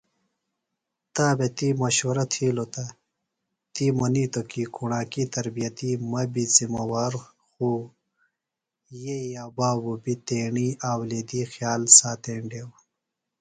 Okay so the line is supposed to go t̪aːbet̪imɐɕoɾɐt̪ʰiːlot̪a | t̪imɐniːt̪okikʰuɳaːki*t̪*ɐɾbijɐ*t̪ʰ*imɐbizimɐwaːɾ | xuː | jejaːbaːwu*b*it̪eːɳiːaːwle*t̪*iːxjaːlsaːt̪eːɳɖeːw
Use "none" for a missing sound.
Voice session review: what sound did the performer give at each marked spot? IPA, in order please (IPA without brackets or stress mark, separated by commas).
t̪, t̪, b, d̪